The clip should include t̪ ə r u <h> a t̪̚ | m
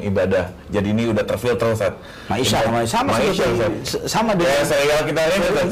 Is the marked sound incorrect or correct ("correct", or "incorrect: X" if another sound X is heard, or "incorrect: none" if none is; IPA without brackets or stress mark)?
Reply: incorrect: s